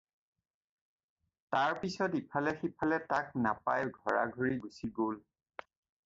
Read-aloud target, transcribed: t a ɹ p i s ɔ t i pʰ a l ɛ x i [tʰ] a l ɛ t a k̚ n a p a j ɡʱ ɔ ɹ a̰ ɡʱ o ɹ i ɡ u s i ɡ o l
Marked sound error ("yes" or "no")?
yes